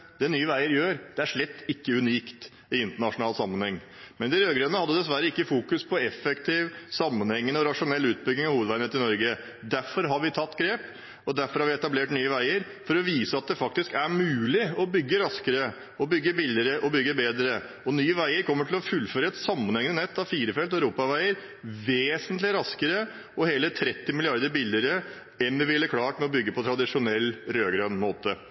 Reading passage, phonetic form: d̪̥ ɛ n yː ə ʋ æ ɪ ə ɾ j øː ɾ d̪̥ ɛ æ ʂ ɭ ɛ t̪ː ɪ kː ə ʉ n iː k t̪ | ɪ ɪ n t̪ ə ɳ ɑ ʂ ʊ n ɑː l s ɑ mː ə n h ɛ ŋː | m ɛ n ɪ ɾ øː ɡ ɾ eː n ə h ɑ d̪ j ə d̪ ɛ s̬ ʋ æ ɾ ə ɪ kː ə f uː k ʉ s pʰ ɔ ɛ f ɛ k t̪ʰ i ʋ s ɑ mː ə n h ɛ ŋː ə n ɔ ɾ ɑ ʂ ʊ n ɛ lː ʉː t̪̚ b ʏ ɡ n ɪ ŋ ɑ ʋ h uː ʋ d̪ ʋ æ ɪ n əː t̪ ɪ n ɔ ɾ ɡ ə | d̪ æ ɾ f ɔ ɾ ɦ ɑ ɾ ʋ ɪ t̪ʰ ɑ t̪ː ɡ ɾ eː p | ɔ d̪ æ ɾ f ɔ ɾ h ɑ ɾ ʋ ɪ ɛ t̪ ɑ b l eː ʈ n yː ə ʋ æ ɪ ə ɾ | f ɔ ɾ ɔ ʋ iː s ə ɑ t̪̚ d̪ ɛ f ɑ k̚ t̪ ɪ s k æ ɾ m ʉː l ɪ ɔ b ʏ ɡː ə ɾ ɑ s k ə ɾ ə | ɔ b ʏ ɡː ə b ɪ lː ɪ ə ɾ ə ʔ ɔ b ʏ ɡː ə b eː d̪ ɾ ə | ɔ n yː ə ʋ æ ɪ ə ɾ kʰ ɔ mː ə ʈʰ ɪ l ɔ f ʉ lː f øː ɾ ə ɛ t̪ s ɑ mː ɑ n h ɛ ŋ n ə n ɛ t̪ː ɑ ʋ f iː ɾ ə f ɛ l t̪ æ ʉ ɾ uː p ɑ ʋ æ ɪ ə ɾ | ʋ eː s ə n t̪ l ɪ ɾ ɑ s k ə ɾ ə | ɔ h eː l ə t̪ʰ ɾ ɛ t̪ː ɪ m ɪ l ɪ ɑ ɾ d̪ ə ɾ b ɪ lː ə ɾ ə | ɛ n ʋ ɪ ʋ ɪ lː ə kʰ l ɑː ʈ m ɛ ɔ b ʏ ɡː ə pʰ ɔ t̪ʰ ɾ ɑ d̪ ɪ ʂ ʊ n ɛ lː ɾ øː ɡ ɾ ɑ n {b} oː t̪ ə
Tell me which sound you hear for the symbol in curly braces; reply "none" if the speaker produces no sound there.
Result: m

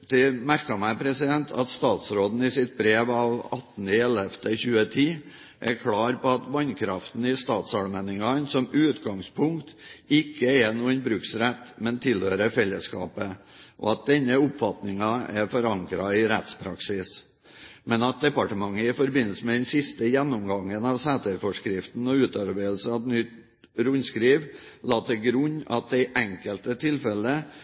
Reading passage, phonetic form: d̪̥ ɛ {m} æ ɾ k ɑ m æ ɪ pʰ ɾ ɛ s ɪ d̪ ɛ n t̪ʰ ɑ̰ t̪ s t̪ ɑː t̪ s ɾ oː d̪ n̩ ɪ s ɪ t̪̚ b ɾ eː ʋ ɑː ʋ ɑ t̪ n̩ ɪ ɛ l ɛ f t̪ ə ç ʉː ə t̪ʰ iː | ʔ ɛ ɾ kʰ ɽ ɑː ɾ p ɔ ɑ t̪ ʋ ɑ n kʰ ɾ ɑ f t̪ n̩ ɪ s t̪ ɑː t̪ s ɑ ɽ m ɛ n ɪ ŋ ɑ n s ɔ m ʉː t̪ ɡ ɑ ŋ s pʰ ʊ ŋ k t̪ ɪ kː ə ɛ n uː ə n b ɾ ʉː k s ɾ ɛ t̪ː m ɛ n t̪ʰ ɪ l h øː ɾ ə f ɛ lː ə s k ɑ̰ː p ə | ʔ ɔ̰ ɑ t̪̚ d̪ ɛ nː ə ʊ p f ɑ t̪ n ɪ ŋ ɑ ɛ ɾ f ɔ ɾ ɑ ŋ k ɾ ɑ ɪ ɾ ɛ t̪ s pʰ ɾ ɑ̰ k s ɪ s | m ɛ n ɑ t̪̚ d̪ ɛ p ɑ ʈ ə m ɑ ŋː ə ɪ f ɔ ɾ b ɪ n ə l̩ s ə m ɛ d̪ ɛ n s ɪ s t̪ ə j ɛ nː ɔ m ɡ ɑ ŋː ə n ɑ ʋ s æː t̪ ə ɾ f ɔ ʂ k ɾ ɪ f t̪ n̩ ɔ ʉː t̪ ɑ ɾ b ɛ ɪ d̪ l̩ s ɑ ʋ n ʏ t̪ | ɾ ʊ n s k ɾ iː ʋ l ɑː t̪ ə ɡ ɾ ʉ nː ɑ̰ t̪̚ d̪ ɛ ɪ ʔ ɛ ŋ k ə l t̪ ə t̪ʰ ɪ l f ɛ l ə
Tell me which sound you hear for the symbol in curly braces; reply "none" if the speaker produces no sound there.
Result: m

